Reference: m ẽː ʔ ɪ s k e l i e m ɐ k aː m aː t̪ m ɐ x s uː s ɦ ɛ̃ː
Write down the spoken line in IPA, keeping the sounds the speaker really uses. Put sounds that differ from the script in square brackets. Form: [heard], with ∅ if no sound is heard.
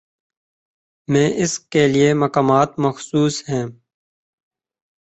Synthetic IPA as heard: m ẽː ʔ ɪ s k e l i e m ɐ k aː m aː t̪ m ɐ x s uː s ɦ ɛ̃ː